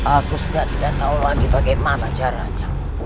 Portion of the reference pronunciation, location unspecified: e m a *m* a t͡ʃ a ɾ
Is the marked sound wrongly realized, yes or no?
yes